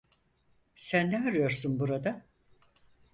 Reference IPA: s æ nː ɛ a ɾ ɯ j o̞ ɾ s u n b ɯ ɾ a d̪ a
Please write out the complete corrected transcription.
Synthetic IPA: s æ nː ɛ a ɾ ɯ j o̞ ɾ s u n b u ɾ a d̪ a